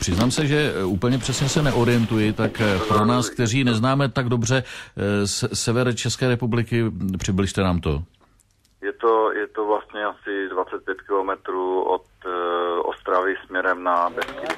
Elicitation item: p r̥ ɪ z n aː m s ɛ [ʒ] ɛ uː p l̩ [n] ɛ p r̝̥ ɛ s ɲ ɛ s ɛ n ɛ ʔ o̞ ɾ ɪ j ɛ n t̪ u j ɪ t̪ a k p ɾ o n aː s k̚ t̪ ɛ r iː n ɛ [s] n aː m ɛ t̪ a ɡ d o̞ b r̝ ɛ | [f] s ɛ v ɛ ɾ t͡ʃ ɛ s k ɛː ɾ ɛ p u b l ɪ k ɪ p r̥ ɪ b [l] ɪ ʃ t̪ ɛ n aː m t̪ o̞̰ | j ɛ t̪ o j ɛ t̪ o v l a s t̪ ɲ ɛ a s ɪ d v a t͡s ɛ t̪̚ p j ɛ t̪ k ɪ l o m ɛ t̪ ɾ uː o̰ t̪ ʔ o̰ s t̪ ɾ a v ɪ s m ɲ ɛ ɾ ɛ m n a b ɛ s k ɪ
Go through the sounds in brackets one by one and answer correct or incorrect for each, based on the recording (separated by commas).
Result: correct, incorrect, incorrect, incorrect, correct